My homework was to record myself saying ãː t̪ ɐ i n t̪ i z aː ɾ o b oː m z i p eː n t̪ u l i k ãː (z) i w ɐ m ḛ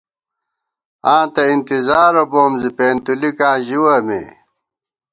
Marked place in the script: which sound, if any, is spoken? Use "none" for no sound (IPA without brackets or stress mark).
ʑ